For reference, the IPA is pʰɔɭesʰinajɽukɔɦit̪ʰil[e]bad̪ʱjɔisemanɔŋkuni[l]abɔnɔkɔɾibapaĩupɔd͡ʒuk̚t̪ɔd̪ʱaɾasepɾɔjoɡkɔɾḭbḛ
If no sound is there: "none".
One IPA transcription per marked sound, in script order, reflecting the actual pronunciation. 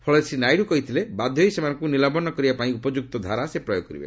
e, l

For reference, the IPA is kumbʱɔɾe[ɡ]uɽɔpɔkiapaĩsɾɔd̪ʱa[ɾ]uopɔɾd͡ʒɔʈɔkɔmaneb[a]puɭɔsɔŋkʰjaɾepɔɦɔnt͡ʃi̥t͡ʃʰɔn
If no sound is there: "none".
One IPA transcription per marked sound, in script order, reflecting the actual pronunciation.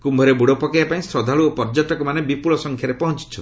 b, ɭ, i

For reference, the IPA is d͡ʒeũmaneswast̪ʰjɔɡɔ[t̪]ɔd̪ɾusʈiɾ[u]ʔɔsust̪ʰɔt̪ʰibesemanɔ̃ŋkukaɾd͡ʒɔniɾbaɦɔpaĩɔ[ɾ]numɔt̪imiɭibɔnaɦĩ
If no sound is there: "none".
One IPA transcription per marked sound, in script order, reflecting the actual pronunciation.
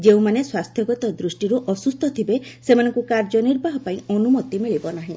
t̪, u, none

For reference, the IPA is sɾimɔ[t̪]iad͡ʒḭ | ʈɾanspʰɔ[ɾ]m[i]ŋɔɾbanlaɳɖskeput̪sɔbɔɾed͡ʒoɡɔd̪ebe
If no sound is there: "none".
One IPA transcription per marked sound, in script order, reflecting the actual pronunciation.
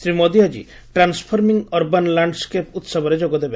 d̪, ɾ, i

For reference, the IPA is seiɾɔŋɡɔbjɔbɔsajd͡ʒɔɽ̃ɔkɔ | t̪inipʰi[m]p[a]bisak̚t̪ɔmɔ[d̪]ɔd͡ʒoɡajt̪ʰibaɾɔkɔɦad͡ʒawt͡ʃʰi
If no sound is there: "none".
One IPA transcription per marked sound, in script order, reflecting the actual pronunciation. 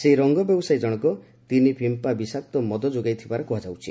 m, a, d̪

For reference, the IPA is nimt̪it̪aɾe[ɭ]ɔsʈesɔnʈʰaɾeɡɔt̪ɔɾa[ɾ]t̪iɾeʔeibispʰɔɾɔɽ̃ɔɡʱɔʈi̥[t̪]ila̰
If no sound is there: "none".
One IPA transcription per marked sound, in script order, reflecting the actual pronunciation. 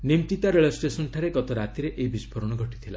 ɭ, none, t̪ʰ

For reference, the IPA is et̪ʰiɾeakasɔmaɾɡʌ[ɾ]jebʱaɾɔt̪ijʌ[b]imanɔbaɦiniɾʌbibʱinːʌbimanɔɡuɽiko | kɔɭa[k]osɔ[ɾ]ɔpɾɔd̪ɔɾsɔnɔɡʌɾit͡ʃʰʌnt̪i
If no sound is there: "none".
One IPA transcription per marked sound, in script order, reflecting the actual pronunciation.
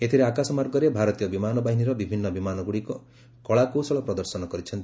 ɾ, b, k, ɭ

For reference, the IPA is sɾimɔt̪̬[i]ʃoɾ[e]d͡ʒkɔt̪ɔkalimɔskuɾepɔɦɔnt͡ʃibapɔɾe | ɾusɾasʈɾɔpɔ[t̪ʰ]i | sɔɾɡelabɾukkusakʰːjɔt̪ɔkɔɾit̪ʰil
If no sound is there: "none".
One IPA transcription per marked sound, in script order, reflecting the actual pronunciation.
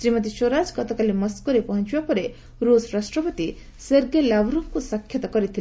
i, a, t̪

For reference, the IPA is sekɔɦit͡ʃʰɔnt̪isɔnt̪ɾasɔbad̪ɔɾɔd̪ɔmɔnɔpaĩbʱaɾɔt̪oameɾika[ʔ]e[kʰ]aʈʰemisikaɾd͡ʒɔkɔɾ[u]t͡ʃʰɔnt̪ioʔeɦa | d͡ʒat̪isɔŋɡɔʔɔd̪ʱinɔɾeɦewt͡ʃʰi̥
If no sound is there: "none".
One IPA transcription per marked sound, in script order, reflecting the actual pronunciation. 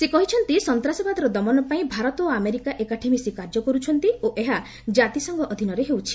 ʔ, k, u

